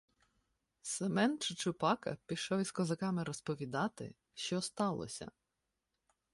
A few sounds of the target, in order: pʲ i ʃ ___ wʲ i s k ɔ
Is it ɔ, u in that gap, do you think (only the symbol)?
ɔ